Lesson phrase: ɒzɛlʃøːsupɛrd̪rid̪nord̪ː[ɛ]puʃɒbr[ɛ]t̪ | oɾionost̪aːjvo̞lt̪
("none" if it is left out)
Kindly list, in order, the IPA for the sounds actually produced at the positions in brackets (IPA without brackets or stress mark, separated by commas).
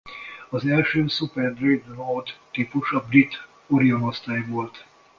i, i